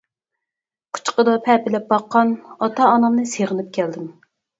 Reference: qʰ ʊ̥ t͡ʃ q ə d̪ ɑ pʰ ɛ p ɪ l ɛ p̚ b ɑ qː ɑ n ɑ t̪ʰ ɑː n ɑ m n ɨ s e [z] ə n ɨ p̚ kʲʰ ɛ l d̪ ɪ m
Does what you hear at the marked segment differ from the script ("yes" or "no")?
yes